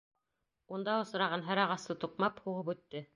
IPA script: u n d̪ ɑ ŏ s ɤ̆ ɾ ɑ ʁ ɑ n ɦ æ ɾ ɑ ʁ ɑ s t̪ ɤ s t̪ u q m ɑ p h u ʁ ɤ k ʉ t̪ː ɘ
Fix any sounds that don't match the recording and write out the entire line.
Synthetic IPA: u n d̪ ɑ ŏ s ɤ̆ ɾ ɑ ʁ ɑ n ɦ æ ɾ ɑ ʁ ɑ s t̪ ɤ t̪ u q m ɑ p h u ʁ ɤ p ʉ t̪ː ɘ